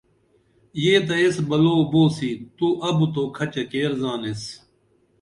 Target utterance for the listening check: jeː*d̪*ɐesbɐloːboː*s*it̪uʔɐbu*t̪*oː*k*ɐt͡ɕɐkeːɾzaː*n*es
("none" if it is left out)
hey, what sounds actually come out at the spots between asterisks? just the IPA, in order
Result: t̪, s, t̪, kʰ, n

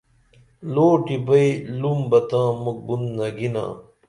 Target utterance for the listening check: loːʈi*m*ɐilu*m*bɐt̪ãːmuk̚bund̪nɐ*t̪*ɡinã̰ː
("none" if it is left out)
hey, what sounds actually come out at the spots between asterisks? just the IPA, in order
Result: b, m, none

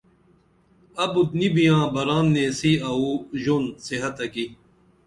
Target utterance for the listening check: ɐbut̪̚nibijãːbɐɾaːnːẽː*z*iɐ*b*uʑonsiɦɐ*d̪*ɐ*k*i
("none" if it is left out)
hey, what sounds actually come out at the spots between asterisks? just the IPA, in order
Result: s, none, t̪, k

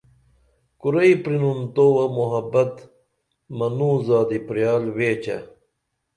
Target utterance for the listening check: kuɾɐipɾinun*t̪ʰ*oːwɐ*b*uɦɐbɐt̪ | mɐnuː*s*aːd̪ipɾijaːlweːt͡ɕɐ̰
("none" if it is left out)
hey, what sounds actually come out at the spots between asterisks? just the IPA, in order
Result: t̪, m, z

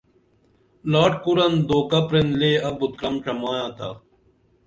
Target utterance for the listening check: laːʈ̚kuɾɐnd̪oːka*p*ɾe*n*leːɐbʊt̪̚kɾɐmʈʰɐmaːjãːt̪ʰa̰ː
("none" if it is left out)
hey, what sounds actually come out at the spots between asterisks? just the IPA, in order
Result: p, n

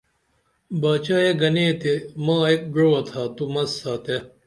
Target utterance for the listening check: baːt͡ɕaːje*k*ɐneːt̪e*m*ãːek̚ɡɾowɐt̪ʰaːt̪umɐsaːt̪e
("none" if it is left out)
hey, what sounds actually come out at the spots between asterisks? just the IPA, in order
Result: ɡ, m

